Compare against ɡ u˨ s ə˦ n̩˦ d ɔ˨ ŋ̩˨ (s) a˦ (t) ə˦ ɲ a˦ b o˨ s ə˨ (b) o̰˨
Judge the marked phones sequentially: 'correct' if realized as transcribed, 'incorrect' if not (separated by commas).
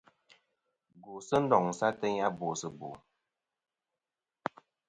correct, correct, correct